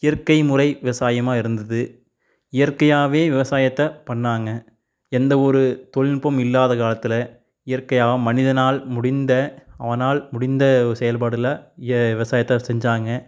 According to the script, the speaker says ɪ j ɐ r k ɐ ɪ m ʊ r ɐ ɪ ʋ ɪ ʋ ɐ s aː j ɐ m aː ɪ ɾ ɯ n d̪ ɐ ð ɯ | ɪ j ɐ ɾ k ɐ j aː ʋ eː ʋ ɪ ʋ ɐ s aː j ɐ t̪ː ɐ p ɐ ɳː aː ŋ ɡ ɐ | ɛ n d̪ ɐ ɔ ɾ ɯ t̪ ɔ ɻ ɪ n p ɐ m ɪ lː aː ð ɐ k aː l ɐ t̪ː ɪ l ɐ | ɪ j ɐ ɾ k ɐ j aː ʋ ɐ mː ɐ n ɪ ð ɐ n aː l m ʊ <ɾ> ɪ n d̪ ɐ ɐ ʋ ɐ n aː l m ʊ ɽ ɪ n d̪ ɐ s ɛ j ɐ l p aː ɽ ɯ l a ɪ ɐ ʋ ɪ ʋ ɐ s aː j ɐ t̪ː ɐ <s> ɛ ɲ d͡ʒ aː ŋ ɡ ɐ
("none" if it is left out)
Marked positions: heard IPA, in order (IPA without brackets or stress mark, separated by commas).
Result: ɽ, s